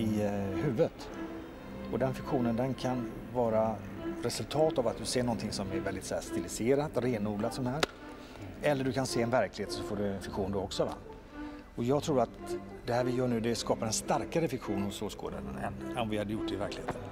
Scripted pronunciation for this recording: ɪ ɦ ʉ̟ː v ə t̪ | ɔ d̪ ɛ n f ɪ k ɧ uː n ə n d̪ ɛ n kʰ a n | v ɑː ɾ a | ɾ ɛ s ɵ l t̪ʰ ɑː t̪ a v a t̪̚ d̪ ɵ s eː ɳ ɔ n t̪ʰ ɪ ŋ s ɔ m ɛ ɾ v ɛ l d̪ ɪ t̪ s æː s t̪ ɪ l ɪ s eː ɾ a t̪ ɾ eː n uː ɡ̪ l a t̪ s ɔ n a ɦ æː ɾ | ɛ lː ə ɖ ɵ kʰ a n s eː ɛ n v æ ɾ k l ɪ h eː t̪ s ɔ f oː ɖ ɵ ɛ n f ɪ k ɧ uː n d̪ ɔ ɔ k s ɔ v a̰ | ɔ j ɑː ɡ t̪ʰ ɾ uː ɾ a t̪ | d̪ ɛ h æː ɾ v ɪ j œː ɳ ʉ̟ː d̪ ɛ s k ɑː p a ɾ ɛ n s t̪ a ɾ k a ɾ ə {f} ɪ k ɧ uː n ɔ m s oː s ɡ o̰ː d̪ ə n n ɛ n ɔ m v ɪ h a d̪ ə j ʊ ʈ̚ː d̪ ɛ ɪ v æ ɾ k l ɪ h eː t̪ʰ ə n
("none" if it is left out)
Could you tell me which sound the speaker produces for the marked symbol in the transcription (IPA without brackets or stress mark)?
f